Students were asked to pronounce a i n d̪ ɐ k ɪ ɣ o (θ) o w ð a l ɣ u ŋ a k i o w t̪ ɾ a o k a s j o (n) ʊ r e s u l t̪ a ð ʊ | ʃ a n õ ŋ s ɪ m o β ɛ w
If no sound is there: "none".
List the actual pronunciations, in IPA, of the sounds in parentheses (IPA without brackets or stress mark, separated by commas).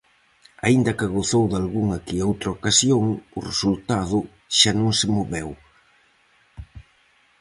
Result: θ, ŋ